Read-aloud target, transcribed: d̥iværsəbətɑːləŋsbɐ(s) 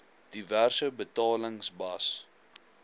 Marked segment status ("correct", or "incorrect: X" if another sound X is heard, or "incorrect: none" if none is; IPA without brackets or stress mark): correct